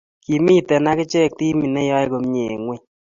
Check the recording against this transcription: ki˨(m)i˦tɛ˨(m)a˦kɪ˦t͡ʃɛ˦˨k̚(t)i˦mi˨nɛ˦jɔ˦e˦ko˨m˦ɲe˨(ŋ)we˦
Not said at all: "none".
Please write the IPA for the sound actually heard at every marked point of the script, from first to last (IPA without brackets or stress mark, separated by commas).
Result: m, n, t, ŋ